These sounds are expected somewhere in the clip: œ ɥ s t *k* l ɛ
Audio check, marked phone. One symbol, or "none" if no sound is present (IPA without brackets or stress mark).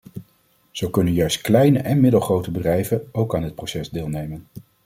k